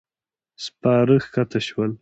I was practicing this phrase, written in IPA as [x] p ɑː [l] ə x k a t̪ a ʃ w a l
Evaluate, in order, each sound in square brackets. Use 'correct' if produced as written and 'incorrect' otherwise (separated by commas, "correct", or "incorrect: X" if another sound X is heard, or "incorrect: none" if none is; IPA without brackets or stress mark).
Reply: incorrect: s, incorrect: ɾ